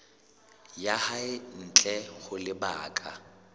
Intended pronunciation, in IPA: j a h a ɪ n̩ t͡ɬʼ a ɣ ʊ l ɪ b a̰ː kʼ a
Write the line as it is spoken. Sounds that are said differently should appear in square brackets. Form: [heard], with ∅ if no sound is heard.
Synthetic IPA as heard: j a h a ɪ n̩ t͡ɬʼ [ɛ] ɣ ʊ l ɪ b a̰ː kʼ a